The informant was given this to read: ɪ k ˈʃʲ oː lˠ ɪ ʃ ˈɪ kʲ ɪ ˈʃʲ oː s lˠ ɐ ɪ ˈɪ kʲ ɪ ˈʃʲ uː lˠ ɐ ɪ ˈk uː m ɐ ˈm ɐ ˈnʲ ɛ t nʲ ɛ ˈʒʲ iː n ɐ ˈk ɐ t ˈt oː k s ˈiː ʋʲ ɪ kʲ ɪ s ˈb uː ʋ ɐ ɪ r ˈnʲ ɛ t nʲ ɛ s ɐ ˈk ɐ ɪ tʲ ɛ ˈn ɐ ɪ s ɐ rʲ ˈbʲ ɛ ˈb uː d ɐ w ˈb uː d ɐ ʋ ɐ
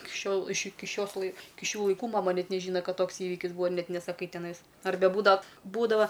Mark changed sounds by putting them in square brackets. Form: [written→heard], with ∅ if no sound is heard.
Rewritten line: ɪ k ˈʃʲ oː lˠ ɪ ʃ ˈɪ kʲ ɪ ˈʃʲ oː s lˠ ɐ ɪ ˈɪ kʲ ɪ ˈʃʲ uː lˠ ɐ ɪ ˈk uː m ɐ ˈm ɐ ˈnʲ ɛ t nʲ ɛ ˈʒʲ iː n ɐ ˈk ɐ t ˈt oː k s ˈiː ʋʲ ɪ kʲ ɪ s ˈb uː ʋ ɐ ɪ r ˈnʲ ɛ t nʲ ɛ s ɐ ˈk ɐ ɪ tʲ ɛ ˈn ɐ ɪ s ɐ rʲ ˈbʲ ɛ ˈb uː d ɐ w ˈb uː d ɐ ʋ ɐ